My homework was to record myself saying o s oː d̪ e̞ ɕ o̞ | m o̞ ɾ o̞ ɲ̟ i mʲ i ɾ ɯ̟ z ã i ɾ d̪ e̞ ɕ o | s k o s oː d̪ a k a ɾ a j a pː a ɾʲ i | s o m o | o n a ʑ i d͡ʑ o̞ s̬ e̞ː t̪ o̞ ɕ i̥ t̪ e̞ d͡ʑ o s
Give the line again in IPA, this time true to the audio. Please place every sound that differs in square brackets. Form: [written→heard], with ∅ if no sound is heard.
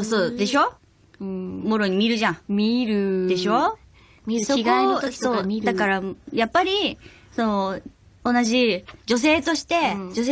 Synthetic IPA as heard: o s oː d̪ e̞ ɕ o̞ | m o̞ ɾ o̞ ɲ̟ i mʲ i ɾ ɯ̟ [z→ʑ] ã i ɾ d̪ e̞ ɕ o | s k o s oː d̪ a k a ɾ a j a pː a ɾʲ i | s o [m→n] o | o n a ʑ i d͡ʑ o̞ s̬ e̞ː t̪ o̞ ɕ i̥ t̪ e̞ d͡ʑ o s